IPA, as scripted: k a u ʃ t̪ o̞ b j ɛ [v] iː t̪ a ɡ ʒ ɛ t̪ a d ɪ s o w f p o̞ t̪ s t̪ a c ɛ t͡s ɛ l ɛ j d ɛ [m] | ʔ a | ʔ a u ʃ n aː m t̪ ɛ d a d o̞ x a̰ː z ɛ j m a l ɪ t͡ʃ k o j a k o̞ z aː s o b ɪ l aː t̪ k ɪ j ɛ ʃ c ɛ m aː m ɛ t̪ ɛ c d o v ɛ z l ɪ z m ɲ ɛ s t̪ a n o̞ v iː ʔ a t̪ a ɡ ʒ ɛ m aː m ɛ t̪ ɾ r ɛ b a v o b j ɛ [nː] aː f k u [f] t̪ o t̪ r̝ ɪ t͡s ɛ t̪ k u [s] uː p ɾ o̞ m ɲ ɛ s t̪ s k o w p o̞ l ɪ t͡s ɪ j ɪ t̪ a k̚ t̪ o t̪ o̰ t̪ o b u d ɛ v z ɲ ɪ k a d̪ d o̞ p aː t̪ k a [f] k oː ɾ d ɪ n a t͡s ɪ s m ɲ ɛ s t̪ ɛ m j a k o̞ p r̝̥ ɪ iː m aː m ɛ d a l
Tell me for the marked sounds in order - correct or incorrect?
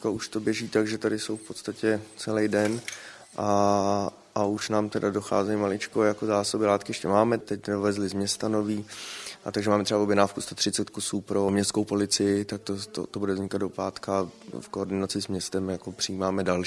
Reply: incorrect, incorrect, incorrect, incorrect, correct, correct

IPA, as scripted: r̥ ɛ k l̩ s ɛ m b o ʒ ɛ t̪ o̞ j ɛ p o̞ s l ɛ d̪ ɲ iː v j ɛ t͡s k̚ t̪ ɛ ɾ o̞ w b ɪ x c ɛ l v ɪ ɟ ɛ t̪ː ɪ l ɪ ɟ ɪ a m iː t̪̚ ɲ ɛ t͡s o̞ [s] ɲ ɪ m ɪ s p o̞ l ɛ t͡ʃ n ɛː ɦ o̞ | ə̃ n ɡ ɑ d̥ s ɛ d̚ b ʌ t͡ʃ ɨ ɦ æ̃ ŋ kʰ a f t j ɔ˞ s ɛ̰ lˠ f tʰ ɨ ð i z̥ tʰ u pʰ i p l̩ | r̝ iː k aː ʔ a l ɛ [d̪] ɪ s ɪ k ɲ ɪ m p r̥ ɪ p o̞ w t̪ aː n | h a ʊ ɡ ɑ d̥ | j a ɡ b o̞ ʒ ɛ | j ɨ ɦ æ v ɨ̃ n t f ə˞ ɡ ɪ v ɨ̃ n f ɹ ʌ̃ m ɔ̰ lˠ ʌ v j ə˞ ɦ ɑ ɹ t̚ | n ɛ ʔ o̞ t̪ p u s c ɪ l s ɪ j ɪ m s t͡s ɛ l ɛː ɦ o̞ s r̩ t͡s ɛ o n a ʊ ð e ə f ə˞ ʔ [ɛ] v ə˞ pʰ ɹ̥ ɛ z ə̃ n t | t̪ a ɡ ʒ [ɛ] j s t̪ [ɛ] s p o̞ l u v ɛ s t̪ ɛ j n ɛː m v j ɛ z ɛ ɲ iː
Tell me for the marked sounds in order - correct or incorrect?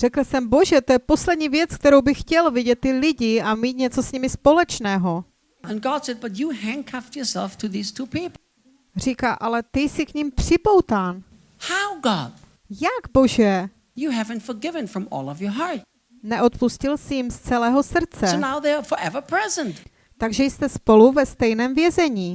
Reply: correct, incorrect, correct, correct, correct

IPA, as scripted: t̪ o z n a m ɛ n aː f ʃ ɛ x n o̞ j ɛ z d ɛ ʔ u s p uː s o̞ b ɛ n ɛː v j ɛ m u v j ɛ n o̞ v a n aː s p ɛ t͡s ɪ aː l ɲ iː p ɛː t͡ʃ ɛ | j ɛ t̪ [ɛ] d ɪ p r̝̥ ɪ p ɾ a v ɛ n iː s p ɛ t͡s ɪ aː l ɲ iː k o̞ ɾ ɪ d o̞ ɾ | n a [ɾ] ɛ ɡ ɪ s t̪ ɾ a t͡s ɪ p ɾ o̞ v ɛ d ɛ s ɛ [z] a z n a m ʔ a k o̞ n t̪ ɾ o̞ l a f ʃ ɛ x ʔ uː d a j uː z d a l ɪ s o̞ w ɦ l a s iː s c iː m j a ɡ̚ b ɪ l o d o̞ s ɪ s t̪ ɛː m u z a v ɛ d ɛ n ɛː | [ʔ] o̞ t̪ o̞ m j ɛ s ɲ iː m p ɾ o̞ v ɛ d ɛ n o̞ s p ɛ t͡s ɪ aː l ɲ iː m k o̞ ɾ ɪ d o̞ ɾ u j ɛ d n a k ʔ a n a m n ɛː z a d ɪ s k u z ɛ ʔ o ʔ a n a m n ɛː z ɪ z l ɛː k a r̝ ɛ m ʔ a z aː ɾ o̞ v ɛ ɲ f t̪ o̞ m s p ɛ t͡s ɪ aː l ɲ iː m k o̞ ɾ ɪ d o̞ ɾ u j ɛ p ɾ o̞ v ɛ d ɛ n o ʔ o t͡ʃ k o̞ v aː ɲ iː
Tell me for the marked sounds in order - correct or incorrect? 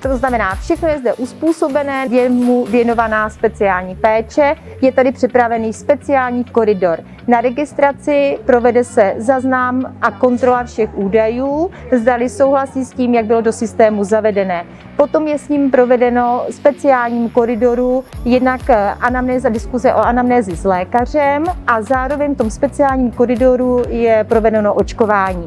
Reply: incorrect, correct, correct, incorrect

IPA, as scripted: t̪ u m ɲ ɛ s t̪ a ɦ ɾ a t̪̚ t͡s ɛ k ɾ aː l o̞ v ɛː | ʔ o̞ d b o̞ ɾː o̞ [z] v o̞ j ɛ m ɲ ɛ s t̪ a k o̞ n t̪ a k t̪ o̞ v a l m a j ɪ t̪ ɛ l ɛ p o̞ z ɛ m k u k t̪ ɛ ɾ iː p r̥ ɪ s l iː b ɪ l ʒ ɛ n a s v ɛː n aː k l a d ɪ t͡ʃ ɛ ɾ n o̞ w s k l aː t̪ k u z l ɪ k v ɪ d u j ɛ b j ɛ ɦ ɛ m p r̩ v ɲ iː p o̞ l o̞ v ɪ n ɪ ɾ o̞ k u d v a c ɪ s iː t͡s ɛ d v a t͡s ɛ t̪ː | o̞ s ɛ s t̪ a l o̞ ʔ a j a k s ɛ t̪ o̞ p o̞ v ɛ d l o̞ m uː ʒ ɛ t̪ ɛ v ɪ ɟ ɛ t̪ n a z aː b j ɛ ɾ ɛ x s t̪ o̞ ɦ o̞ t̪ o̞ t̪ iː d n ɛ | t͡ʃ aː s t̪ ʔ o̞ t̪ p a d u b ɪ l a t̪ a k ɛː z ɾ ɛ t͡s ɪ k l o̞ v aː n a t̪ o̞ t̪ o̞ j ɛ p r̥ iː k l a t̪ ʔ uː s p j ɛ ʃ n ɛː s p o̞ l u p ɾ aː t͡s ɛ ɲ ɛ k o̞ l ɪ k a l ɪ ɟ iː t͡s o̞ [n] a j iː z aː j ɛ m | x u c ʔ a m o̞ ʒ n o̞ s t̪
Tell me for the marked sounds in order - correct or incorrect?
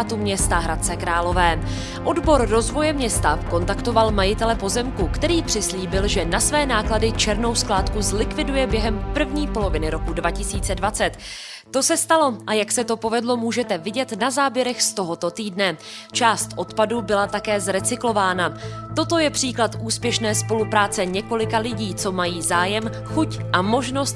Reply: correct, incorrect

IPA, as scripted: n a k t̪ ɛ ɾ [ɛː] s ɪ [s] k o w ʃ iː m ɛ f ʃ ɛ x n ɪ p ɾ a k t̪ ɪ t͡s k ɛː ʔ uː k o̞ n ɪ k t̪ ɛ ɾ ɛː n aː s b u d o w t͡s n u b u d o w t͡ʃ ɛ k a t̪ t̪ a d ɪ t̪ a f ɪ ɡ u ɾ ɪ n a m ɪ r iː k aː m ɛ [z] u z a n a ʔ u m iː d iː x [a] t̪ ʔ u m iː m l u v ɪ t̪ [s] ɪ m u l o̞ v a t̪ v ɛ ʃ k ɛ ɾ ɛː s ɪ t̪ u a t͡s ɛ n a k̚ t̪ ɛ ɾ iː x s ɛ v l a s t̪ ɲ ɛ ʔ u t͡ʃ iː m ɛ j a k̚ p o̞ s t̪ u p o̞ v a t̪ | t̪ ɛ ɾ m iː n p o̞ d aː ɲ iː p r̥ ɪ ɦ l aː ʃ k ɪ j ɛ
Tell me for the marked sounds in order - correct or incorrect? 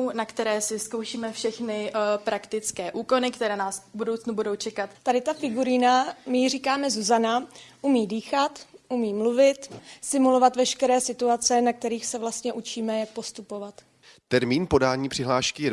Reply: correct, correct, correct, correct, correct

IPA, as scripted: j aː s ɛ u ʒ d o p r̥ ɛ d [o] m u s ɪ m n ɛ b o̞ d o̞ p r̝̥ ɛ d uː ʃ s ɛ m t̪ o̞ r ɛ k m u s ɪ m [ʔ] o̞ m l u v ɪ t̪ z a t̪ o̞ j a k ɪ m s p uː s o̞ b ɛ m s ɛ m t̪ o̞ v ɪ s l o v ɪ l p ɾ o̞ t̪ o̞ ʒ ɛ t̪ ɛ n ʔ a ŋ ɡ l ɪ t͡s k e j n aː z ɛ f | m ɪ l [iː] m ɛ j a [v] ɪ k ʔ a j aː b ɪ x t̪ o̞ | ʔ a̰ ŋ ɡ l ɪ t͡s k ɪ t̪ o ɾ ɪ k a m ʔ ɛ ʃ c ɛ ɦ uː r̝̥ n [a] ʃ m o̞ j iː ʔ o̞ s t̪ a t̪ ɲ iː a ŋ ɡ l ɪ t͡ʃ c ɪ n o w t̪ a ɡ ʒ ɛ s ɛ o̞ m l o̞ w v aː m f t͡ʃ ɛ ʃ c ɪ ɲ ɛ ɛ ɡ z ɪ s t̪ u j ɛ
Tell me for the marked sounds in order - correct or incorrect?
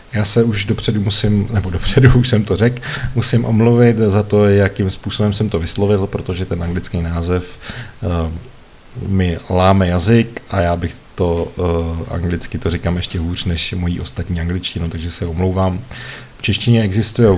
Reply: incorrect, correct, incorrect, incorrect, incorrect

